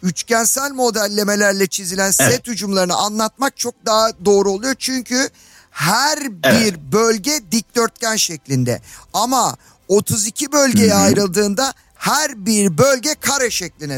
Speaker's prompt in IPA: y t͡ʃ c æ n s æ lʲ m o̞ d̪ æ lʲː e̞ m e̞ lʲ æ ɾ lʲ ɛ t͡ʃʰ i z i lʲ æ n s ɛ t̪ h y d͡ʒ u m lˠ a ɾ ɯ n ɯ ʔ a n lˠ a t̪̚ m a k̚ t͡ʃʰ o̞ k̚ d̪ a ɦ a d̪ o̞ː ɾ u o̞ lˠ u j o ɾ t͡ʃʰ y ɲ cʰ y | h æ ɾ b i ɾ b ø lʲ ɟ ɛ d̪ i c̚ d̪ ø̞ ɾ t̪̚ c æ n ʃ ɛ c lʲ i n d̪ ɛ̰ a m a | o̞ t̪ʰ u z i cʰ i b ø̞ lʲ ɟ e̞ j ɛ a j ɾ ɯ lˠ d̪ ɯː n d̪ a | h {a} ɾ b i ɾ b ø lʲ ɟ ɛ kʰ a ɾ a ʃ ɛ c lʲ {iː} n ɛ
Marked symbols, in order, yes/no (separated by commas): no, no